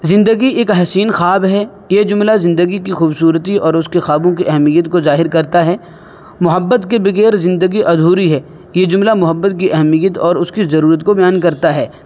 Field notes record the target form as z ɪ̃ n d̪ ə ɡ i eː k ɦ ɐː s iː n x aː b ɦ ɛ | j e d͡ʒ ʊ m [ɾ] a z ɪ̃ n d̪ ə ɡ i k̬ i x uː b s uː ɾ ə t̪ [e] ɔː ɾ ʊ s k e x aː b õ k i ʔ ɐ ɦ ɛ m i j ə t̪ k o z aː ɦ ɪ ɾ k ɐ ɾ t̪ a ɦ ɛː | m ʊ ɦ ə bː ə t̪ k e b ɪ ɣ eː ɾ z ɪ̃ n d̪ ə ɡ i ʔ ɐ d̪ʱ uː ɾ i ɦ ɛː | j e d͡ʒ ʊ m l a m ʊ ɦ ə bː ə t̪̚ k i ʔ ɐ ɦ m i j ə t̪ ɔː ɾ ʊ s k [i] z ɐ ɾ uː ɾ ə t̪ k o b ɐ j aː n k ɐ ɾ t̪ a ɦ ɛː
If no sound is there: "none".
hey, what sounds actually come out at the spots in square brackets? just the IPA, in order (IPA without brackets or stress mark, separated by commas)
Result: l, i, i